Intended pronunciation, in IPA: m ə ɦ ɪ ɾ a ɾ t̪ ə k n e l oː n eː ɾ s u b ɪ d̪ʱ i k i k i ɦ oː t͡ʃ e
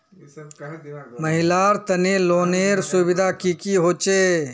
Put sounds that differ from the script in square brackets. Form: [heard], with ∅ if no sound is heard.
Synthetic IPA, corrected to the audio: m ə ɦ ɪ [l] a ɾ t̪ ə [∅] n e l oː n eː ɾ s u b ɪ d̪ʱ [a] k i k i ɦ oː t͡ʃ e